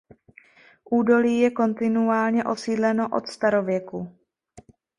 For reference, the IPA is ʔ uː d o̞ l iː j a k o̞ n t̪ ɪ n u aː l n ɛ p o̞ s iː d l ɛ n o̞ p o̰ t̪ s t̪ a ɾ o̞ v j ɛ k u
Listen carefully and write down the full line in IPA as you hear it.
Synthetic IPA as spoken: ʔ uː d o̞ l iː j ɛ k o̞ n t̪ ɪ n u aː l ɲ ɛ ʔ o̞ s iː d l ɛ n o̞ ʔ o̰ t̪ s t̪ a ɾ o̞ v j ɛ k u